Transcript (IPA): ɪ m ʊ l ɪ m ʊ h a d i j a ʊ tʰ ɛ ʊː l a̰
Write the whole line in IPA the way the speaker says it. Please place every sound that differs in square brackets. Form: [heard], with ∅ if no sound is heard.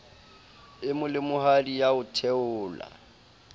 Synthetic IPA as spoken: ɪ m ʊ l ɪ m ʊ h a d i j a ʊ tʰ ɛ ʊː l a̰